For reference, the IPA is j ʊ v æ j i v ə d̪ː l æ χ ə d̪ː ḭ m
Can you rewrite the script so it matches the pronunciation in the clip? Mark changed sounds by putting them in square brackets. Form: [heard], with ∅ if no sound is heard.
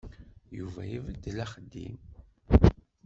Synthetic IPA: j [u] v æ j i v ə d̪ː l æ χ ə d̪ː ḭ m